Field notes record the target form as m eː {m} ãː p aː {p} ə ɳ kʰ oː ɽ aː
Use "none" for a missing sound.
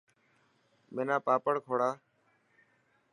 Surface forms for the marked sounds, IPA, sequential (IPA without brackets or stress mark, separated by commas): n, p